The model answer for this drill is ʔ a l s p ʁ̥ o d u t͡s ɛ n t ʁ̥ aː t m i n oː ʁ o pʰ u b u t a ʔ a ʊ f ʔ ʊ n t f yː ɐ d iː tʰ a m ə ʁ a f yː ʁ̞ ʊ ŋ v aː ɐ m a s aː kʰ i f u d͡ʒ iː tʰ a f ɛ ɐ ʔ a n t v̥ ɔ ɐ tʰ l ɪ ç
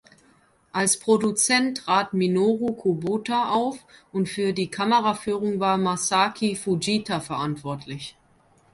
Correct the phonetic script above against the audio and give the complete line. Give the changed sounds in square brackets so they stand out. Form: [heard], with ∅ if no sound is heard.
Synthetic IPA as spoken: ʔ a l s p ʁ̥ o d u t͡s ɛ n t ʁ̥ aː t m i n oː ʁ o [kʰ] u b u t a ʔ a ʊ f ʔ ʊ n t f yː ɐ d iː [kʰ] a m ə ʁ a f yː ʁ̞ ʊ ŋ v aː ɐ m a s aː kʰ i f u d͡ʒ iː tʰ a f ɛ ɐ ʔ a n t v̥ ɔ ɐ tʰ l ɪ ç